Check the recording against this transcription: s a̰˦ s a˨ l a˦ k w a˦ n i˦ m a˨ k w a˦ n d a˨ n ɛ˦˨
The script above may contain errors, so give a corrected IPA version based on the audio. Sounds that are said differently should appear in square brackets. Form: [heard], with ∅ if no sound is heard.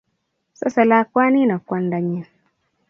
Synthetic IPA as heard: s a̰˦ s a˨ l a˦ k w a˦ n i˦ [n] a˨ k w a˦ n d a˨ [ɲ] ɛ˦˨